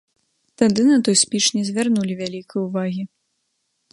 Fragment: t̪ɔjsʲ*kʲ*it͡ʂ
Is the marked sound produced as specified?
no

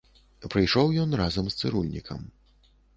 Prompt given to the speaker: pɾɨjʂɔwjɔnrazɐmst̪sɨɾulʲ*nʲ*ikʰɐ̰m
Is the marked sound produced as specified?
yes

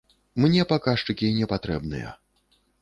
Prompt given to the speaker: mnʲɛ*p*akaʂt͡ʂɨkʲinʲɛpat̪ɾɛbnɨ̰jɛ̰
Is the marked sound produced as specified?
yes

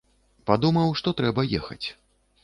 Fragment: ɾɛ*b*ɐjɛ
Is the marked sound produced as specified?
yes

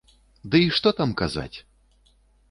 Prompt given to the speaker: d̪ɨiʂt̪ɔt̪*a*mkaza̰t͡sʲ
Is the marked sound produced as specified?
yes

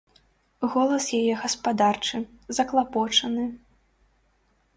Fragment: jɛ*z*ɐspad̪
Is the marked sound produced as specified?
no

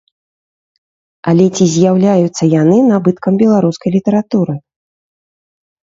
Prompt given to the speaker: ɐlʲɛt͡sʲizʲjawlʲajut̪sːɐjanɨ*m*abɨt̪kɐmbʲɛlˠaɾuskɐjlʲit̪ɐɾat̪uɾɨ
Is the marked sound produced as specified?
no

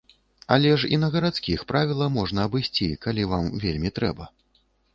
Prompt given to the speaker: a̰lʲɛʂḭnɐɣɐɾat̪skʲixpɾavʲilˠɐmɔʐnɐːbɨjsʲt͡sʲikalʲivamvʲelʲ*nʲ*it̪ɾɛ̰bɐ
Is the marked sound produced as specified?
no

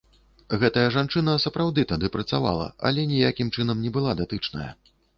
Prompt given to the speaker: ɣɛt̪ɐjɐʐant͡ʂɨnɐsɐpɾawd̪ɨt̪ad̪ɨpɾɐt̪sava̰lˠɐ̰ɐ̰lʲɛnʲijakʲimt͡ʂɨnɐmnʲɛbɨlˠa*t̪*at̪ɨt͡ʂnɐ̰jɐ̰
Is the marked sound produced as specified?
no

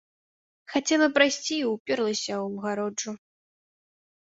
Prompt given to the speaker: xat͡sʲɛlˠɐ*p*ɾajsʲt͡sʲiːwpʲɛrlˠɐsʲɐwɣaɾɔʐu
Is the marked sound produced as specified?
yes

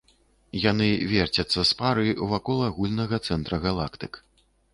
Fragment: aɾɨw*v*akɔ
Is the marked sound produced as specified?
yes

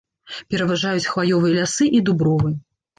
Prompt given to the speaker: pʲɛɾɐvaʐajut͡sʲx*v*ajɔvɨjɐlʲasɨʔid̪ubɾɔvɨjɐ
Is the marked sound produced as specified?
yes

